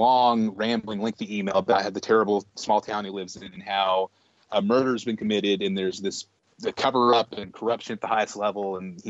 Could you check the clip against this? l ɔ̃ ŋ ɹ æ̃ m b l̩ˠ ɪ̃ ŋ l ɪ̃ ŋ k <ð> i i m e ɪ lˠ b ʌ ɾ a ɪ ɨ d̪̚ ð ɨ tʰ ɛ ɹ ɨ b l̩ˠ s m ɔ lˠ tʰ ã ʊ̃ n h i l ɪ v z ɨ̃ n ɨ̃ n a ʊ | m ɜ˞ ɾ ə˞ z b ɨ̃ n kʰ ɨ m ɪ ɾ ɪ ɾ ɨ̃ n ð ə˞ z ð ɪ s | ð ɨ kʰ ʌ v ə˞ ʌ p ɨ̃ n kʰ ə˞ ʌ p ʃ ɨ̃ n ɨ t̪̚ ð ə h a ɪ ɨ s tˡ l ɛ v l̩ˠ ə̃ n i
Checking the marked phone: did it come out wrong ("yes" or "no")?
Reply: yes